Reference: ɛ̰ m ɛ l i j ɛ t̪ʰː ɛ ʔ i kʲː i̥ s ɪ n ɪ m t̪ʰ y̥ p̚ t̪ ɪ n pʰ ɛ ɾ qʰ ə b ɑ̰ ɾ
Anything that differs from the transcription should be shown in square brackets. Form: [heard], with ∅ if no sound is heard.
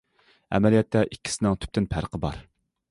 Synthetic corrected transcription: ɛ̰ m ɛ l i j ɛ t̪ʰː ɛ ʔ i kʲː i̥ s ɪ n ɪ [ŋ] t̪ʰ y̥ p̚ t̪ ɪ n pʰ [æ] ɾ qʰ ə b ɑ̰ ɾ